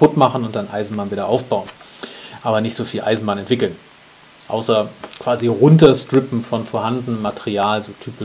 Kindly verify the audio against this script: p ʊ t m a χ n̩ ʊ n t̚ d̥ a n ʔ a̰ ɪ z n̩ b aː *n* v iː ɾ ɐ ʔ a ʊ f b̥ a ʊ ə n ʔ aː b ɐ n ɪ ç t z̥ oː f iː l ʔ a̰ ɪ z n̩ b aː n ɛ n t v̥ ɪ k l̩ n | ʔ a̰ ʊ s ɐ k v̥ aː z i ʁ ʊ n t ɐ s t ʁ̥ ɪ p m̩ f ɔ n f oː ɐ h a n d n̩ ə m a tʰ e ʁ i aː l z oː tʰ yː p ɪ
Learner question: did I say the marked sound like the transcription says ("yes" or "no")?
yes